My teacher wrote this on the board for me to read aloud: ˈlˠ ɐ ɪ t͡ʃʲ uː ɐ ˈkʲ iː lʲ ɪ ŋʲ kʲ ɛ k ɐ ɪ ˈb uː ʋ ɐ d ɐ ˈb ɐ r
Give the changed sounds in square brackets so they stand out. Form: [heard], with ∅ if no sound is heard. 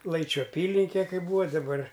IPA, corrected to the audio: ˈlˠ ɐ ɪ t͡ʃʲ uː ɐ [ˈpʲ] iː lʲ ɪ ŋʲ kʲ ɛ k ɐ ɪ ˈb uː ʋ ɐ d ɐ ˈb ɐ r